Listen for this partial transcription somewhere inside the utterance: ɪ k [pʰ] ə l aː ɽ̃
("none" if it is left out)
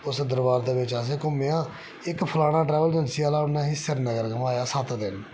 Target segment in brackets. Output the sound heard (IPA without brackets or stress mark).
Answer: pʰ